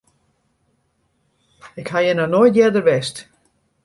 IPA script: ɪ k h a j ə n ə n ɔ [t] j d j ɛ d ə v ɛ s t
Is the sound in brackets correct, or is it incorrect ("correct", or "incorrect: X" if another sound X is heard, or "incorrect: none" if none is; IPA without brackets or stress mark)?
incorrect: none